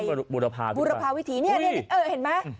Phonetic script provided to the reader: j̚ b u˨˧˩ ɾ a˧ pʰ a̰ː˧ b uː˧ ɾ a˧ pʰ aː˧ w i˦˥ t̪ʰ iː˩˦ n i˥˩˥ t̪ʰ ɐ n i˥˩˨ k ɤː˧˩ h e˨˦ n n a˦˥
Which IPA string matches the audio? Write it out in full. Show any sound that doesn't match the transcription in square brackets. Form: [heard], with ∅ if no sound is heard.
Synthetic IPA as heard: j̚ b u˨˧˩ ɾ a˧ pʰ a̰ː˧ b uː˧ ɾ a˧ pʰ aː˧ w i˦˥ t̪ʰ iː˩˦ n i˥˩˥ [∅] ɐ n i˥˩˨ [ʔ] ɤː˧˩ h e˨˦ n [m] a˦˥

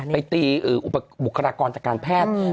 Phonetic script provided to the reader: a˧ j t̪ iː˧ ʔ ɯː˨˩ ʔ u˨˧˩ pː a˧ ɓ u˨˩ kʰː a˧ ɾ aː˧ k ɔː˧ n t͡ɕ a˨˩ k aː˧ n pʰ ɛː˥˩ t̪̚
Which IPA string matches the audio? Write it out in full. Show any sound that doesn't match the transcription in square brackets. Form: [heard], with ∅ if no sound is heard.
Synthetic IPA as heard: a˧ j t̪ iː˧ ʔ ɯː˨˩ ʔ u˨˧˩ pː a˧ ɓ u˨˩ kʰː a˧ ɾ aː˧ k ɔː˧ n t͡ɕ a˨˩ k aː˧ n pʰ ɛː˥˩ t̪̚

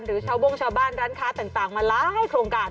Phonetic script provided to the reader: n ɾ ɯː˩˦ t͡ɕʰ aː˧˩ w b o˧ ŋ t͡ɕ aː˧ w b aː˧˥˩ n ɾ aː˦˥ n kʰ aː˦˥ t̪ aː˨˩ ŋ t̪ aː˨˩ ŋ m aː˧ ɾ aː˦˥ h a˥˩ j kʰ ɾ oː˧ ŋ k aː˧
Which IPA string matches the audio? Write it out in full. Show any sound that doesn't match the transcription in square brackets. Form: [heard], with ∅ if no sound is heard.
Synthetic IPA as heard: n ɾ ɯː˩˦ t͡ɕʰ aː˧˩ w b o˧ ŋ [t͡ɕʰ] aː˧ w b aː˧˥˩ n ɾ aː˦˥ n kʰ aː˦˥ t̪ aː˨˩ ŋ t̪ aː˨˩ ŋ m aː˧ [l] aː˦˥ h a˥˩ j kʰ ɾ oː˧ ŋ k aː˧

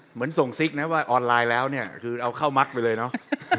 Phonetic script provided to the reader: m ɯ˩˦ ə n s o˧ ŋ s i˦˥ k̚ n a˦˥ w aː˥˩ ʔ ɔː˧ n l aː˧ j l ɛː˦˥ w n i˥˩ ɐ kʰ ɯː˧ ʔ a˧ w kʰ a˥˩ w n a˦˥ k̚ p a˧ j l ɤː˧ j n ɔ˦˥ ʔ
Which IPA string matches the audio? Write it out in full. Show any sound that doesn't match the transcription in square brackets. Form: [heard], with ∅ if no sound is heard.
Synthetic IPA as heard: m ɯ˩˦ ə n s [o˨˩] ŋ s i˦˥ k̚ n a˦˥ w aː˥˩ ʔ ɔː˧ n l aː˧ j l ɛː˦˥ w n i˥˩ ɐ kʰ ɯː˧ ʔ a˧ w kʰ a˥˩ w [m] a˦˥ k̚ p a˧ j l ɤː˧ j n ɔ˦˥ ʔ

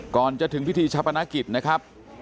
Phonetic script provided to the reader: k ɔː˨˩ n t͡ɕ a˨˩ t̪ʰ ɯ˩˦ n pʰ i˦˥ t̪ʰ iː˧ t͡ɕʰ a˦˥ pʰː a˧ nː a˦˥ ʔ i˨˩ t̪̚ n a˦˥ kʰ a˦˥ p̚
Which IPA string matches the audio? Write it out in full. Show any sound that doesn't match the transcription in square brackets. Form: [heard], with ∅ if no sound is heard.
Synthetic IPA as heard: k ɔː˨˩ n t͡ɕ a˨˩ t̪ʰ ɯ˩˦ [ŋ] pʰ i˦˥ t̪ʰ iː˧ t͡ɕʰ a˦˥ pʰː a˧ [n] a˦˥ [k] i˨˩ t̪̚ n a˦˥ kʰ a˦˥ p̚

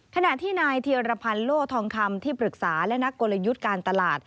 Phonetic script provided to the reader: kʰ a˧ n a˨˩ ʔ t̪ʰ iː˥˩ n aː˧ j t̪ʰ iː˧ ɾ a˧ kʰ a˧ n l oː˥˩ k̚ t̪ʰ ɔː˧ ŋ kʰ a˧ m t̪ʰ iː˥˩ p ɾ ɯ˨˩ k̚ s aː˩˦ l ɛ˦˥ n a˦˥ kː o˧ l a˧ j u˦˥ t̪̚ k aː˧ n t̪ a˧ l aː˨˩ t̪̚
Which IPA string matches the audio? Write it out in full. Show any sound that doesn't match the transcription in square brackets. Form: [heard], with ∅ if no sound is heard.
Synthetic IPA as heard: kʰ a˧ n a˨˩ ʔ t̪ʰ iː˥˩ n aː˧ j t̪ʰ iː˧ ɾ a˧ [pʰ] a˧ n l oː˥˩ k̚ t̪ʰ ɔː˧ ŋ kʰ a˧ m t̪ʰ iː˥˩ p ɾ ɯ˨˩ k̚ s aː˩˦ l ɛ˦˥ n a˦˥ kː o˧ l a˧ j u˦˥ t̪̚ k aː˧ n t̪ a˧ l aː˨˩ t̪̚

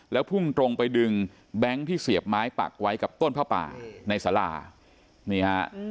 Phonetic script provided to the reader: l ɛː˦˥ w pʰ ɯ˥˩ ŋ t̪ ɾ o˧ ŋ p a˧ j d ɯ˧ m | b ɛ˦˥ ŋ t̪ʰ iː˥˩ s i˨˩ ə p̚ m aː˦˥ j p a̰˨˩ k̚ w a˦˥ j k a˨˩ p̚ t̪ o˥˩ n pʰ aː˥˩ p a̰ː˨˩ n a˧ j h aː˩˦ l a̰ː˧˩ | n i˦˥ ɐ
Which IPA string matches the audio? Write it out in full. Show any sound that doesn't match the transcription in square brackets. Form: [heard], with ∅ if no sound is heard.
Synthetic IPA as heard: l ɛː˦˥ w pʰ [u˥˩] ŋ t̪ ɾ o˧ ŋ p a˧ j d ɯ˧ [ŋ] | b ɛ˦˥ ŋ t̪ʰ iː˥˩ s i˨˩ ə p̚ m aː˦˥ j p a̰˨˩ k̚ w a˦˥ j k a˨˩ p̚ t̪ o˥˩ n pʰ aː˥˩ p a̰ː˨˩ n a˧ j [s] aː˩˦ l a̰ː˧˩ | n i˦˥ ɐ

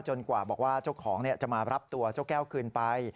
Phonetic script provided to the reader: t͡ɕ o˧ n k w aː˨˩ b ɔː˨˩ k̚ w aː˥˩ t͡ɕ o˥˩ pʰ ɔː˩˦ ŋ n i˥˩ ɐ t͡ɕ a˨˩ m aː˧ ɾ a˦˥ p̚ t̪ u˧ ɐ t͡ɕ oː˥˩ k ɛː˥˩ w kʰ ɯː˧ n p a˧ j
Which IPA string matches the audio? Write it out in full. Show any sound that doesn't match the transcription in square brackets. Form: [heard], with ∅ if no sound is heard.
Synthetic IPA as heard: t͡ɕ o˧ n k w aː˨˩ b ɔː˨˩ k̚ w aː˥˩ t͡ɕ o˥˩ [kʰ] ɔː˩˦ ŋ n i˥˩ ɐ t͡ɕ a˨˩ m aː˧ ɾ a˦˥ p̚ t̪ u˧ ɐ t͡ɕ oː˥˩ k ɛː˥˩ w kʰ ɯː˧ n p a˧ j

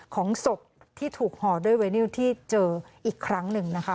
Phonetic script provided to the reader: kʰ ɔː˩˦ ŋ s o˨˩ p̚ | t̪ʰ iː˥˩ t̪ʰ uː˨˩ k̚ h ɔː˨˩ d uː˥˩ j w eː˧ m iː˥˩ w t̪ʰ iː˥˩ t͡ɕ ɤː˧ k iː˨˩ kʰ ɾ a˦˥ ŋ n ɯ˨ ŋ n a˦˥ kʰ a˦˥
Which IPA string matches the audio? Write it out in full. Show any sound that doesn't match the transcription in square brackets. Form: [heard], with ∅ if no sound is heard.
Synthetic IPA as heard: kʰ ɔː˩˦ ŋ s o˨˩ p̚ | t̪ʰ iː˥˩ t̪ʰ uː˨˩ k̚ h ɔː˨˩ d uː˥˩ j w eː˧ [n] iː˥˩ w t̪ʰ iː˥˩ t͡ɕ ɤː˧ [ʔ] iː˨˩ kʰ ɾ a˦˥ ŋ n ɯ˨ ŋ n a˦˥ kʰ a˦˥

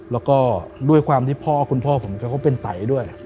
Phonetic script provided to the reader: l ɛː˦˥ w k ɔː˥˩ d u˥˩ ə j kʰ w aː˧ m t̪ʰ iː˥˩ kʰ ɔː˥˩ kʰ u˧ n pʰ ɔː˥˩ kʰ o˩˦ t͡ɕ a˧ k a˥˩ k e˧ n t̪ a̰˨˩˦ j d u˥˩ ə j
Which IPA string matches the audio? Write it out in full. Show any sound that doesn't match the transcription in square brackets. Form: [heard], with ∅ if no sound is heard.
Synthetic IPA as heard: l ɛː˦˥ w k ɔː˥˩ d u˥˩ ə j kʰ w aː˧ m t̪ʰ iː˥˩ [pʰ] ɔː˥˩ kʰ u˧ n pʰ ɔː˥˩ [pʰ] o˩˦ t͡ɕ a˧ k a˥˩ [p] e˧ n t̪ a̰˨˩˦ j d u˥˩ ə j

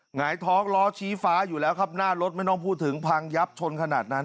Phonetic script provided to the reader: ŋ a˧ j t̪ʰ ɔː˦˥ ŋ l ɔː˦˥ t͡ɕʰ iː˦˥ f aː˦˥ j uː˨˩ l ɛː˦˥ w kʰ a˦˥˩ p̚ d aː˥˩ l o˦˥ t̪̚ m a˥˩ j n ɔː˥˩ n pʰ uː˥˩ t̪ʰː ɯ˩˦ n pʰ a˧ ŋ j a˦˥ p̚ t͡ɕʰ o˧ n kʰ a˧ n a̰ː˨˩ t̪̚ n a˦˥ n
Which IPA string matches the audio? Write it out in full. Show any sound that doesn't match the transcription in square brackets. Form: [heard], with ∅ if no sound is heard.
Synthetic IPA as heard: ŋ [a˩˦] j t̪ʰ ɔː˦˥ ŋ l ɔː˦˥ t͡ɕʰ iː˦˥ f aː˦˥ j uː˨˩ l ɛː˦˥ w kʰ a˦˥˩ p̚ [n] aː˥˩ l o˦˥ t̪̚ m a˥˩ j n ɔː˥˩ [ŋ] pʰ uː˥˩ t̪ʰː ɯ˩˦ [ŋ] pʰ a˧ ŋ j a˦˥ p̚ t͡ɕʰ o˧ n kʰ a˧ n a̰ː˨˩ t̪̚ n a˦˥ n

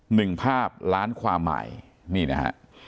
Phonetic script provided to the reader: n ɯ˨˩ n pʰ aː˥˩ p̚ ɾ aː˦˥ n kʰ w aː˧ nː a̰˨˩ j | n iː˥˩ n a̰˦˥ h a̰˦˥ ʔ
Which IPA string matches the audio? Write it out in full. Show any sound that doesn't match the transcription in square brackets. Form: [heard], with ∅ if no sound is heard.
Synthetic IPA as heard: n ɯ˨˩ [ŋ] pʰ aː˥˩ p̚ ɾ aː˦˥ n kʰ w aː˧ [mː] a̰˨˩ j | n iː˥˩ n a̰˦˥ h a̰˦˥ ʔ

